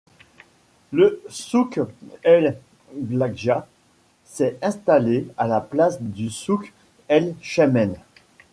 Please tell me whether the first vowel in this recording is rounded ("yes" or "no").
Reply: no